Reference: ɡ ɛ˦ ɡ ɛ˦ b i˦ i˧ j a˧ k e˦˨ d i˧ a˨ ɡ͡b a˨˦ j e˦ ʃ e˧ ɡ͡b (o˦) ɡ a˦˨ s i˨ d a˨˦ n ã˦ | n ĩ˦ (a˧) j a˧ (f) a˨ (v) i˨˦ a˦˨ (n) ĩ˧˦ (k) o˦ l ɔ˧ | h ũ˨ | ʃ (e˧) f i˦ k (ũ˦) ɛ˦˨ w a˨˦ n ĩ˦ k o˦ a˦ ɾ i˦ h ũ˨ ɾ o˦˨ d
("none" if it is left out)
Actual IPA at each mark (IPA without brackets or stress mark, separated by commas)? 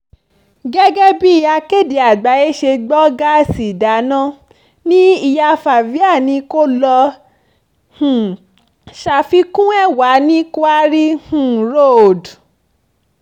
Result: ɔ˦, i˧, f, v, n, k, a˧, ũ˦